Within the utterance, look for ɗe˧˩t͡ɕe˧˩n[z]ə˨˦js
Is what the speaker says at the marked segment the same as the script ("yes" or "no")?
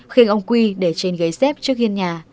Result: no